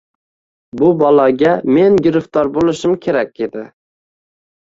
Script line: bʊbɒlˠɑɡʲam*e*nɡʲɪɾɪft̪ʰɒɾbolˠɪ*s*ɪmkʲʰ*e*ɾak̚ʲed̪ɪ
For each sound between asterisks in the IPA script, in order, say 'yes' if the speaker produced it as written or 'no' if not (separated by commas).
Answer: yes, no, yes